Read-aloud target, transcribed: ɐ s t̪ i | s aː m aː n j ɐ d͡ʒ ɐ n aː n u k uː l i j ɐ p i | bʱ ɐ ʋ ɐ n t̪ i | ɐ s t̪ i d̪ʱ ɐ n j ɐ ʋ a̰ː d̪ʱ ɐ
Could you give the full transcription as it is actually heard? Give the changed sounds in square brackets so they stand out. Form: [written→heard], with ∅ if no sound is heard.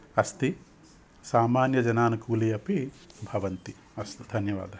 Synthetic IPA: ɐ s t̪ i | s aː m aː n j ɐ d͡ʒ ɐ n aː n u k uː l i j ɐ p i | bʱ ɐ ʋ ɐ n t̪ i | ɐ s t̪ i d̪ʱ ɐ n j ɐ ʋ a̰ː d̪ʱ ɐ